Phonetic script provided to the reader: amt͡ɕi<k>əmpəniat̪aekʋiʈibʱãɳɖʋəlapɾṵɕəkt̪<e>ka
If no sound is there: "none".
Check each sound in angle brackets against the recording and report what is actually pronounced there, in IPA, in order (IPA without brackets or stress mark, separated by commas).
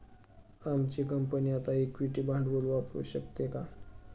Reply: k, e